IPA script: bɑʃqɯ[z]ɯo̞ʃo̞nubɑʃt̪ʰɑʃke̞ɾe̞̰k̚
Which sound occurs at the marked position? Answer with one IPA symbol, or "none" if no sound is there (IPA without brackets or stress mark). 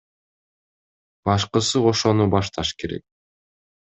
s